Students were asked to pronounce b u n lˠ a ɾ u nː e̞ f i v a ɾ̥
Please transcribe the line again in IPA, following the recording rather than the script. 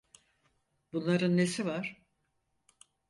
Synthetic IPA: b u n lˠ a ɾ ɯ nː e̞ s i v a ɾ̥